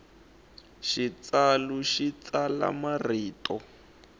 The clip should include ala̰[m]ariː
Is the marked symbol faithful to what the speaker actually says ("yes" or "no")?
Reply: yes